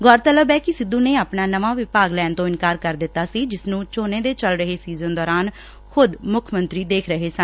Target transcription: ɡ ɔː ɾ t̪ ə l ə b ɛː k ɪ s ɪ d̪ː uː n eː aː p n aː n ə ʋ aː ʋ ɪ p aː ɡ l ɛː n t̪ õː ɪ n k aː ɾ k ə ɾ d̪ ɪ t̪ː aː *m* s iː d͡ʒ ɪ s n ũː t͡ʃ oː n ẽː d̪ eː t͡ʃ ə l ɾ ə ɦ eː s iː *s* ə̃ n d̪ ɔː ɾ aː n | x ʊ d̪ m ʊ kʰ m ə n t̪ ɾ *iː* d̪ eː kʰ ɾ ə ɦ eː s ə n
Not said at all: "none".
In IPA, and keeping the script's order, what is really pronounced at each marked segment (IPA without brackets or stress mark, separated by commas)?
none, z, iː